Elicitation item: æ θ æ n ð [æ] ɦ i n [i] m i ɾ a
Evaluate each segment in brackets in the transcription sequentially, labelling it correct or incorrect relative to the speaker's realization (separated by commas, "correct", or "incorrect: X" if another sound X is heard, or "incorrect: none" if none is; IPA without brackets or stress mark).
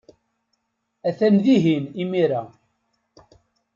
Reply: incorrect: i, correct